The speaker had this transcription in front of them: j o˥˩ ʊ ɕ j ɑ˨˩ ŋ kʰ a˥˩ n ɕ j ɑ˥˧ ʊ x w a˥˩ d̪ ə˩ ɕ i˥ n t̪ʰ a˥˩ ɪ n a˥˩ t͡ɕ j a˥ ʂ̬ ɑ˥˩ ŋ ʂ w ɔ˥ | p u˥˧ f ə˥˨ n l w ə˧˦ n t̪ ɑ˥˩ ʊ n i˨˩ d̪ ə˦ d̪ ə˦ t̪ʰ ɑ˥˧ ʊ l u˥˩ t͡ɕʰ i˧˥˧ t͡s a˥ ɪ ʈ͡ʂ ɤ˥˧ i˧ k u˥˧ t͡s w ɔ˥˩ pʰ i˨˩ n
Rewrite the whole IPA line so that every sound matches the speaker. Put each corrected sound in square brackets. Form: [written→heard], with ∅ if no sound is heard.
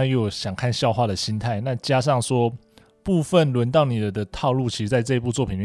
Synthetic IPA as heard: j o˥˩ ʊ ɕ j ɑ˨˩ ŋ kʰ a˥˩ n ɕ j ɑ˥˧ ʊ x w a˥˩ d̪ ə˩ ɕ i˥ n t̪ʰ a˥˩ ɪ n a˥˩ t͡ɕ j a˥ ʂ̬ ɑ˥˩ ŋ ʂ w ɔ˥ | p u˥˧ f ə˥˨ n l w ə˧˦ n t̪ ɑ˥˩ ʊ n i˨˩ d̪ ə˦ d̪ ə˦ t̪ʰ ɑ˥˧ ʊ l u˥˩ t͡ɕʰ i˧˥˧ t͡s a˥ ɪ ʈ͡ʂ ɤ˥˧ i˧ [k→p] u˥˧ t͡s w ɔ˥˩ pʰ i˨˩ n